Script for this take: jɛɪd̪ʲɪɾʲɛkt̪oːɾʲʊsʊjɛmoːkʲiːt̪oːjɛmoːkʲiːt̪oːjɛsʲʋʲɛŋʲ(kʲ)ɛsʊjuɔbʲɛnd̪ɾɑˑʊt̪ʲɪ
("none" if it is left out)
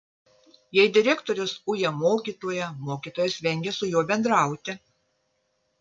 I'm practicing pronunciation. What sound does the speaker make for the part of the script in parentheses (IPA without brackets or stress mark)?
ɡʲ